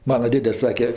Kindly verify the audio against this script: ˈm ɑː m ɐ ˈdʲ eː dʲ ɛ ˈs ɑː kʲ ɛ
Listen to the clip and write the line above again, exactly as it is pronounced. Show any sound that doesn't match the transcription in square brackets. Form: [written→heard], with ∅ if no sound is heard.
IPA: ˈm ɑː [m→n] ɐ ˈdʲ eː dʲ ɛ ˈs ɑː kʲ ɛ